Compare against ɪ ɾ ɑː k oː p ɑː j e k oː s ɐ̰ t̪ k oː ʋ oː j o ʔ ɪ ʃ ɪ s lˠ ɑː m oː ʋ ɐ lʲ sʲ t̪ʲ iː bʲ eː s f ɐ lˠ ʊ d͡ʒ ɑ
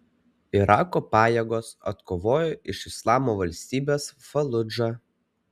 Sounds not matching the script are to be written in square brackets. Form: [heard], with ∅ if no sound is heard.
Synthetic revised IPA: ɪ ɾ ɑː k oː p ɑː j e [ɡ] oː s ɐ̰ t̪ k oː ʋ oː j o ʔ ɪ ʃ ɪ s lˠ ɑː m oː ʋ ɐ lʲ sʲ t̪ʲ iː bʲ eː s f ɐ lˠ ʊ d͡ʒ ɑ